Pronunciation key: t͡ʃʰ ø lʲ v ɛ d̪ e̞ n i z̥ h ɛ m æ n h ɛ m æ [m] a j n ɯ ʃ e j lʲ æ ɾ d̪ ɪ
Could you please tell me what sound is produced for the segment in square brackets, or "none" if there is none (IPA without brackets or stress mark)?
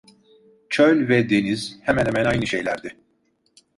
n